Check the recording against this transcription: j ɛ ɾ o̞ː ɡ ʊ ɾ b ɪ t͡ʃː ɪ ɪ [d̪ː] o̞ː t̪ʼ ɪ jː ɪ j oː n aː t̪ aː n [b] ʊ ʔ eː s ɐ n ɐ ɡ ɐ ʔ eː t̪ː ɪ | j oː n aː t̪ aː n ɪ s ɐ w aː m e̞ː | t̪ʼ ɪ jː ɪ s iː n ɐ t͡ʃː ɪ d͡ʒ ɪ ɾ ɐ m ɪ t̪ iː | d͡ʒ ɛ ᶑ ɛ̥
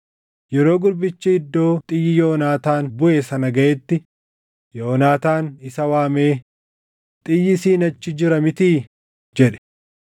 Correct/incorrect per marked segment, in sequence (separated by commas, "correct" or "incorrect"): correct, correct